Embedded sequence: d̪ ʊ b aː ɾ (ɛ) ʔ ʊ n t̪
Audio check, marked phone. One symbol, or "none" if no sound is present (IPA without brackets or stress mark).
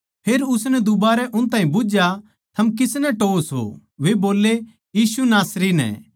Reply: ɛ